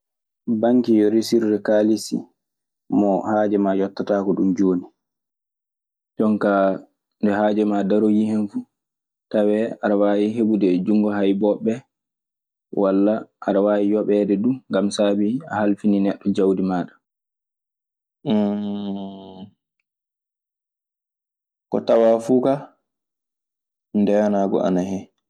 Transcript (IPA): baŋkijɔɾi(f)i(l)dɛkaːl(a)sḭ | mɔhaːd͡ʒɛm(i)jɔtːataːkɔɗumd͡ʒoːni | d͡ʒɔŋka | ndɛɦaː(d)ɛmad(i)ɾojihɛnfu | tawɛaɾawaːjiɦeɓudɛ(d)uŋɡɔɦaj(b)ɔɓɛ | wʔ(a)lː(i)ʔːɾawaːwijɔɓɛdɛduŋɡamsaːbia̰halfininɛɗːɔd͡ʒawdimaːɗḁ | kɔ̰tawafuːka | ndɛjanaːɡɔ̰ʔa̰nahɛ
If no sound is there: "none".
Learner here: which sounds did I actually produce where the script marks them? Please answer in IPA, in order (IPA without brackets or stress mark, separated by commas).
s, ɾ, i, a, d͡ʒ, a, d͡ʒ, b, a, a